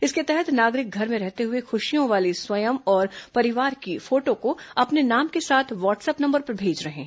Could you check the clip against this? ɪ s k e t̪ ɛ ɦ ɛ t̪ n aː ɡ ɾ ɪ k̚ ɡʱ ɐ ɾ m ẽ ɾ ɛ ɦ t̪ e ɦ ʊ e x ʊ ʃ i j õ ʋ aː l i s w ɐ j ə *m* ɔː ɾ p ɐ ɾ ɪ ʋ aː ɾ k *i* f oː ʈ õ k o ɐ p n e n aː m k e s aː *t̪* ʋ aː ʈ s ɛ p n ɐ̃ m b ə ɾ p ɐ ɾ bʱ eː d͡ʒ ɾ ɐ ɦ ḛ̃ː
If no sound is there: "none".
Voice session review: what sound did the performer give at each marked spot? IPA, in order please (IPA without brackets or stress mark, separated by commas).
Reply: m, i, t̪ʰ